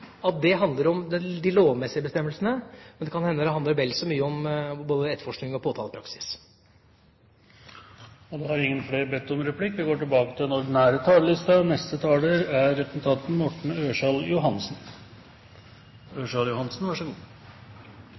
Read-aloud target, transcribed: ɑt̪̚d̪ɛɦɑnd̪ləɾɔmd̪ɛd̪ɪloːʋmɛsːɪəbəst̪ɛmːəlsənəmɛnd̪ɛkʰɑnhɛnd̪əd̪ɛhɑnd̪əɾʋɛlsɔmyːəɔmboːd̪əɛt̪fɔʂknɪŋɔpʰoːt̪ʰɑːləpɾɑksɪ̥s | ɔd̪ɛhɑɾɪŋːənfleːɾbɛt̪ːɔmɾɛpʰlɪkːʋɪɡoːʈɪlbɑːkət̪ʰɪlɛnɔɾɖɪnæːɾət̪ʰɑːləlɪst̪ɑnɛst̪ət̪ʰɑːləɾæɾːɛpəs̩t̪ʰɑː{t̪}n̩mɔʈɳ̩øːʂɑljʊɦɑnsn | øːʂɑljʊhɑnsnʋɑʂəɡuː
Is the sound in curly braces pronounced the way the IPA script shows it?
yes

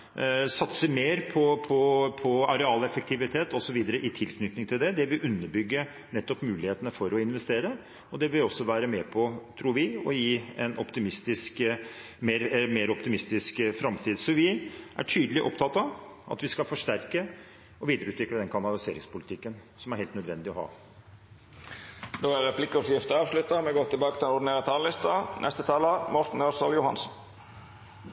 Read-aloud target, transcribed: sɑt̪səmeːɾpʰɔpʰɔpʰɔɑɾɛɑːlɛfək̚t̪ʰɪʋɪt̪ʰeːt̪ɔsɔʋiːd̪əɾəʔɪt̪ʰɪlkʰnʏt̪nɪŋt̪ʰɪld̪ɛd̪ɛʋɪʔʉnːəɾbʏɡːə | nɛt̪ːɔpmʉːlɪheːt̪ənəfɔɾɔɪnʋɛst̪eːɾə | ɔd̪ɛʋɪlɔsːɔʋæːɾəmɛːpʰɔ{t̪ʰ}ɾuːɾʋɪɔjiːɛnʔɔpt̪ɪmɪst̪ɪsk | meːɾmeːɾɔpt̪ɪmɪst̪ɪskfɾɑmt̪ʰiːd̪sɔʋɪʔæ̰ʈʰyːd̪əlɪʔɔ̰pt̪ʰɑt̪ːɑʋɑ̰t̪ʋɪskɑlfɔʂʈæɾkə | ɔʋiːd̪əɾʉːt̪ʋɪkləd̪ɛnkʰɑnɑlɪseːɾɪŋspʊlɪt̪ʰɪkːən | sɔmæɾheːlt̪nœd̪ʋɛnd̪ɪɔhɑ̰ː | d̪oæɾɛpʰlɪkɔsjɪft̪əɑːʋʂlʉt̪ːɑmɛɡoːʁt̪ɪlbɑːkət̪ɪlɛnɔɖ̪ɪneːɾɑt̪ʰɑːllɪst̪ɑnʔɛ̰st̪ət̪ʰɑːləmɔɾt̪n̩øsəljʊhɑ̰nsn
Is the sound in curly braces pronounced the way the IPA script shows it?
yes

